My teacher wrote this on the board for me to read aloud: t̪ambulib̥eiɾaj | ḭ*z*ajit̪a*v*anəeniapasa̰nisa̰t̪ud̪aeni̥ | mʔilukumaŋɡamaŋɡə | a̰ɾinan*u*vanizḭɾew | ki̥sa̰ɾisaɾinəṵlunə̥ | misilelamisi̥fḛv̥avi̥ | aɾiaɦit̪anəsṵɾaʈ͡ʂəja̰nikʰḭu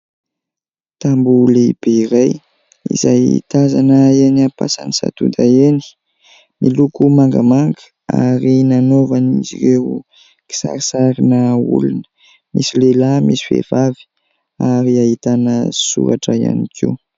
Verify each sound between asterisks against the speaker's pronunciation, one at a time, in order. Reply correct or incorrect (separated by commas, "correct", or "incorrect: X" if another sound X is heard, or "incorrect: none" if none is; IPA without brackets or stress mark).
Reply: correct, incorrect: z, incorrect: o